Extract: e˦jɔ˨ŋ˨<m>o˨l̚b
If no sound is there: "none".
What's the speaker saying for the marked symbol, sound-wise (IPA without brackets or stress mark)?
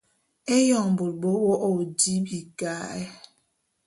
b